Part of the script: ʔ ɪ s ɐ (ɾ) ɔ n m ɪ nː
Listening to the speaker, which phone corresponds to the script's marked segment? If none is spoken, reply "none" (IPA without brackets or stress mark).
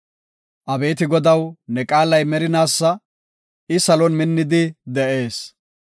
l